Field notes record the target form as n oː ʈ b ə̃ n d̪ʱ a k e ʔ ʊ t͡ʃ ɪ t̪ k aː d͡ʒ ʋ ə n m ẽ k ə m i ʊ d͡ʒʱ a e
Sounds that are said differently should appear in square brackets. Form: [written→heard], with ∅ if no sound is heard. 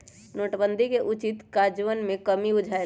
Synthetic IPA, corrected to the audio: n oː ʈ b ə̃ n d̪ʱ [a→i] k e ʔ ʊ t͡ʃ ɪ t̪ k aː d͡ʒ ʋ ə n m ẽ k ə m i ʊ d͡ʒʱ a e